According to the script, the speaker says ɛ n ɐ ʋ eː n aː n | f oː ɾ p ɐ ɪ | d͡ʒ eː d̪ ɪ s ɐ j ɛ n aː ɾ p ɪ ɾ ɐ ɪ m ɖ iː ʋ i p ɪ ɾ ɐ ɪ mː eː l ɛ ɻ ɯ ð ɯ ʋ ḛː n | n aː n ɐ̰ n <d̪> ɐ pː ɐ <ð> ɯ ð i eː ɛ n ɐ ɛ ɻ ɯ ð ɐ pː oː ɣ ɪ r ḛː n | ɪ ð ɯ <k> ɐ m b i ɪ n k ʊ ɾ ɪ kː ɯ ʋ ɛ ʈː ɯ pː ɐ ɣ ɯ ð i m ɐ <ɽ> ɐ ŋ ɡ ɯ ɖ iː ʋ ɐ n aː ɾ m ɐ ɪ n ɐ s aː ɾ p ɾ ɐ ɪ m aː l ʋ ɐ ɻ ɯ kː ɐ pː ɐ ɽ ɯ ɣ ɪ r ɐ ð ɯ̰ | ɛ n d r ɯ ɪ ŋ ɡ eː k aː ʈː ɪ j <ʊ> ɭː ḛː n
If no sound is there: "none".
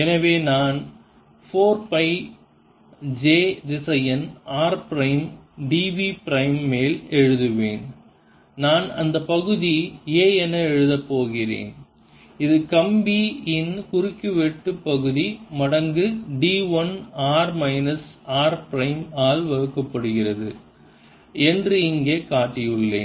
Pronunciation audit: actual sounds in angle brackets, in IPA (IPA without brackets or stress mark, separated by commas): d̪, ɣ, k, ɽ, ɯ